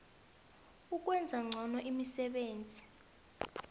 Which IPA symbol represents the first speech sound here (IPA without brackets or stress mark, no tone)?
u